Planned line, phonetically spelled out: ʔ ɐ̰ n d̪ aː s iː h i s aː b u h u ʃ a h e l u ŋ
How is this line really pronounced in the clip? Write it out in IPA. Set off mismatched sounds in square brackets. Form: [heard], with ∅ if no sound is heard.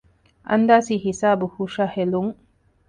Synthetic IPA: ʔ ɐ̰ n d̪ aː s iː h i s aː b u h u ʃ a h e l u ŋ